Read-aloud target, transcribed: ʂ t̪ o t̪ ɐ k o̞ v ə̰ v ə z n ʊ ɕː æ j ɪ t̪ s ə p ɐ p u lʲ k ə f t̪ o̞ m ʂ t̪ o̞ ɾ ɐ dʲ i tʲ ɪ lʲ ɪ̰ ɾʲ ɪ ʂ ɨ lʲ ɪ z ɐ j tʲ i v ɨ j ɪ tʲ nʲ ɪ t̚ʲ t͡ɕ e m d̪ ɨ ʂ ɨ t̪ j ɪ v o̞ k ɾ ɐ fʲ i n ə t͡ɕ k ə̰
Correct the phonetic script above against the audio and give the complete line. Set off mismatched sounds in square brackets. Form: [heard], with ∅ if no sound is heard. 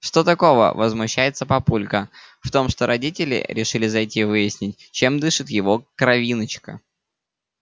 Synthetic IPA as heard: ʂ t̪ o t̪ ɐ k o̞ v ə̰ v ə z [m] ʊ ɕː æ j ɪ t̪ s ə p ɐ p u lʲ k ə f t̪ o̞ m ʂ t̪ o̞ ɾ ɐ dʲ i tʲ ɪ lʲ ɪ̰ ɾʲ ɪ ʂ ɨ lʲ ɪ z ɐ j tʲ i v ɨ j ɪ [sʲ] nʲ ɪ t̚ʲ t͡ɕ e m d̪ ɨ ʂ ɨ t̪ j ɪ v o̞ k ɾ ɐ [vʲ] i n ə t͡ɕ k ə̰